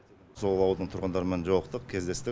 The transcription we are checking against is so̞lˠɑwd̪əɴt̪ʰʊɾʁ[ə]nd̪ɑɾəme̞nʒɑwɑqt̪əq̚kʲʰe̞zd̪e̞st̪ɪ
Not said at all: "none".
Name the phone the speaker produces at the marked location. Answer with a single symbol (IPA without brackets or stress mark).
ə